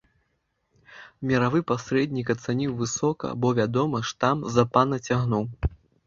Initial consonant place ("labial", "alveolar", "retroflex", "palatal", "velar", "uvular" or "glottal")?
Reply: labial